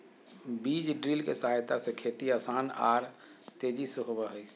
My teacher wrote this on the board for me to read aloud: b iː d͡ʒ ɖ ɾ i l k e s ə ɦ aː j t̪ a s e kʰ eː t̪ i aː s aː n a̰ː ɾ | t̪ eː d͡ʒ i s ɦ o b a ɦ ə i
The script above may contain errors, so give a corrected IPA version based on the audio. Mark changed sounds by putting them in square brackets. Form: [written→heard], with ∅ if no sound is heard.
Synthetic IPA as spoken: b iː d͡ʒ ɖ ɾ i l k e s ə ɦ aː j t̪ a s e kʰ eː t̪ i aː s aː n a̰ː ɾ | t̪ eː d͡ʒ i s ɦ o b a ɦ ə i